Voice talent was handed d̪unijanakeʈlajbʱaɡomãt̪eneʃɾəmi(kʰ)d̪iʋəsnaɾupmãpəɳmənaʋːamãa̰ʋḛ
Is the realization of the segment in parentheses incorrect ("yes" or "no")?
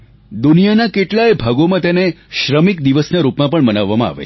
yes